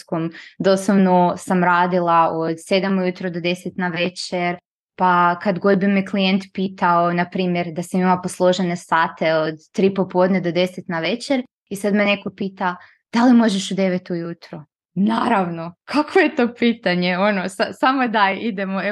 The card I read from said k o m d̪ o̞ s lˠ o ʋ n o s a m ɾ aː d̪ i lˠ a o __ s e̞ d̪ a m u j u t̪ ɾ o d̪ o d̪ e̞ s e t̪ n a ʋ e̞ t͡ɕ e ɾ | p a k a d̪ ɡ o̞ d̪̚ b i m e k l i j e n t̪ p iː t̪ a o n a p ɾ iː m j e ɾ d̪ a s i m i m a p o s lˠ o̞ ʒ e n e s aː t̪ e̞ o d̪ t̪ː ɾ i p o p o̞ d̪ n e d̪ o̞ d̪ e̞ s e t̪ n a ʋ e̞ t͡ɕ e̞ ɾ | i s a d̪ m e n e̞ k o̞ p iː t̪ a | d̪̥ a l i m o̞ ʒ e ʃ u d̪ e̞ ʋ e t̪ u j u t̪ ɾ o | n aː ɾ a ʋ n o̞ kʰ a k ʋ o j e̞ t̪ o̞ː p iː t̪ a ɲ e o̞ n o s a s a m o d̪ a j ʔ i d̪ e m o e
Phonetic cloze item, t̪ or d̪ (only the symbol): d̪